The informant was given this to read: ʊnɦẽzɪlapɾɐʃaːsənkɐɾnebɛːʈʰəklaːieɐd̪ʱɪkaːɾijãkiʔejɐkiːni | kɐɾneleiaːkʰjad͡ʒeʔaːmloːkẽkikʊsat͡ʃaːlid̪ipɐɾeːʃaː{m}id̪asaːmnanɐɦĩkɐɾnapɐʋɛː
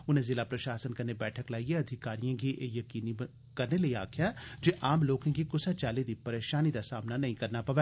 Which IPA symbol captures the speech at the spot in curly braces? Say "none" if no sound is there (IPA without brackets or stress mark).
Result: n